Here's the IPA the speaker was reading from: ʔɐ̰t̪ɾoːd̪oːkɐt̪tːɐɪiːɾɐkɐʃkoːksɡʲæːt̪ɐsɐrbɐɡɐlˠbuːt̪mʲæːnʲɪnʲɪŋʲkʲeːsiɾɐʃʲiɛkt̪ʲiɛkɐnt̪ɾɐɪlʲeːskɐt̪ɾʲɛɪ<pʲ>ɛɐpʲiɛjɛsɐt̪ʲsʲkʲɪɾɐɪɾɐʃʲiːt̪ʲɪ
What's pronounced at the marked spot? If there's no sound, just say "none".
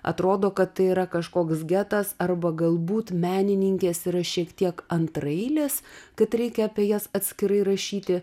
kʲ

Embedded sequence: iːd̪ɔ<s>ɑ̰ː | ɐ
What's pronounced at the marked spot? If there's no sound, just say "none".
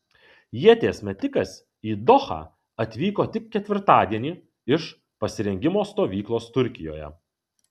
x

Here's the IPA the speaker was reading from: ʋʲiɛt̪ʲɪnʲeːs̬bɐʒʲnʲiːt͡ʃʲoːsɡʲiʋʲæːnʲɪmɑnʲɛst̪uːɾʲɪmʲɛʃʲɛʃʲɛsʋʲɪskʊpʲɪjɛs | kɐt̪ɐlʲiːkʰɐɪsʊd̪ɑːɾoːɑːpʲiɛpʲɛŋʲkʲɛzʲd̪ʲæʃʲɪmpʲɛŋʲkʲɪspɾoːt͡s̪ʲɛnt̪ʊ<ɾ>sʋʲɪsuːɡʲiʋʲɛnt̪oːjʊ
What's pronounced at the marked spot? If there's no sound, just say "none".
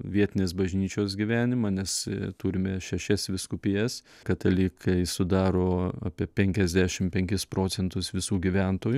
none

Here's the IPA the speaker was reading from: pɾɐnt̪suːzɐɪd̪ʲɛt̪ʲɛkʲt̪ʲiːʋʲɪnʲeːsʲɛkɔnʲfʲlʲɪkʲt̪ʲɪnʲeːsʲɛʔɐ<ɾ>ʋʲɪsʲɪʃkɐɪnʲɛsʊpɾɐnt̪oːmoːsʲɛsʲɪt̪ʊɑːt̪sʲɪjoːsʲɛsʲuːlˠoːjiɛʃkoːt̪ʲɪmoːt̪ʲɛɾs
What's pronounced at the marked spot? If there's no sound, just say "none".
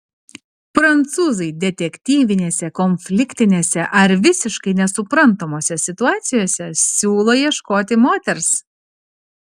ɾ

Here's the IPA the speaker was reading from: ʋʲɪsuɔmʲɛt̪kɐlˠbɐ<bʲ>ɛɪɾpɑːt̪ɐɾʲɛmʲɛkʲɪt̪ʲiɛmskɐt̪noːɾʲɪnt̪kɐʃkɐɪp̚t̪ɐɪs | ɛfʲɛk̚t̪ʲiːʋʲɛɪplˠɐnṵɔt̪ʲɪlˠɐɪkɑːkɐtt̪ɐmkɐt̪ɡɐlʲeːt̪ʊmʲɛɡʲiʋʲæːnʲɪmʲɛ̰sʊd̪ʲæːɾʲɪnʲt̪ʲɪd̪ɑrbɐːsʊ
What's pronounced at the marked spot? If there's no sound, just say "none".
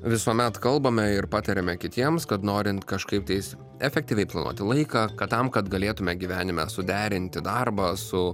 mʲ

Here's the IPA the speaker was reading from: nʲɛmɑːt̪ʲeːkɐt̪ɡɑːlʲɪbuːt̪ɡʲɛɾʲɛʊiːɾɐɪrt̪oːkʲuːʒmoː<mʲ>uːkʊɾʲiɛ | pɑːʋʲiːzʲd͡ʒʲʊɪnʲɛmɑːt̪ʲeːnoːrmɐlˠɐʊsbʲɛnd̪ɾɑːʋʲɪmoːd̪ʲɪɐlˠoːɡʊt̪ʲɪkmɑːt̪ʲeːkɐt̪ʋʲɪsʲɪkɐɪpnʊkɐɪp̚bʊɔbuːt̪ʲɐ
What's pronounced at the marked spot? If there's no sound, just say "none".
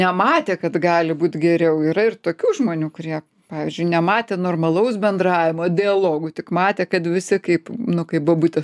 nʲ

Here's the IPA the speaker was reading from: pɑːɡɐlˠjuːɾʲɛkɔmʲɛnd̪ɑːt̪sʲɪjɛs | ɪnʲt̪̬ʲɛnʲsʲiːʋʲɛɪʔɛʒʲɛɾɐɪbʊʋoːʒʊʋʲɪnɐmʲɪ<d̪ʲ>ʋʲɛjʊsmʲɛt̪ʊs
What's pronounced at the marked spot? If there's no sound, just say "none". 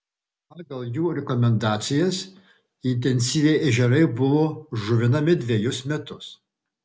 d̪ʲ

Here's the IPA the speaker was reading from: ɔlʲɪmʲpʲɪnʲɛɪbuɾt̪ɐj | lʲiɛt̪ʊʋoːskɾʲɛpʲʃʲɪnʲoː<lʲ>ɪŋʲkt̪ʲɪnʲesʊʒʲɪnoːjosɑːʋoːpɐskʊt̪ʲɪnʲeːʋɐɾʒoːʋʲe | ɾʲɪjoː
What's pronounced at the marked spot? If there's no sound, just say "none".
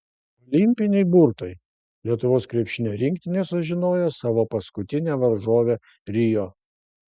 ɾʲ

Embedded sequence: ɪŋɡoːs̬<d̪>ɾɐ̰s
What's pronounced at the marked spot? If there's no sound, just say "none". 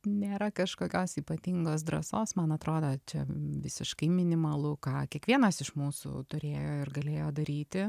d̪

